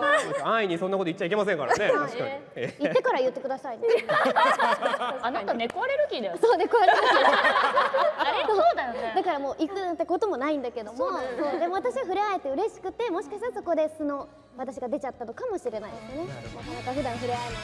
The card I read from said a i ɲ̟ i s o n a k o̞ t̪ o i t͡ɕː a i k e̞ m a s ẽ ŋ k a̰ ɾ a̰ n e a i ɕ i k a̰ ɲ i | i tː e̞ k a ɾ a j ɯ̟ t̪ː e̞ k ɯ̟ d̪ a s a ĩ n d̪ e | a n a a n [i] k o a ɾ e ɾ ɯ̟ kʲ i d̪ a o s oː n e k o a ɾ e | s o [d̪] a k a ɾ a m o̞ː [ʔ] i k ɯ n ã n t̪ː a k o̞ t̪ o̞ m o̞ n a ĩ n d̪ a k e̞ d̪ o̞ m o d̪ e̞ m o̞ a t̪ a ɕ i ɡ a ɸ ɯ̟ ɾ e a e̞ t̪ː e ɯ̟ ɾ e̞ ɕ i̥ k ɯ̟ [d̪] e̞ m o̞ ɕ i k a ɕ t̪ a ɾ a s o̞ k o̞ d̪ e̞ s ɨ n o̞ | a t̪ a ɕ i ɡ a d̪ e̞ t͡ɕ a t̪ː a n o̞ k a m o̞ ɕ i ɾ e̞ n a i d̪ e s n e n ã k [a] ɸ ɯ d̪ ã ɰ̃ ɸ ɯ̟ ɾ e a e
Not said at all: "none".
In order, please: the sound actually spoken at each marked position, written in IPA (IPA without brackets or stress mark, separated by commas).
e, d̪, ʔ, t̪, a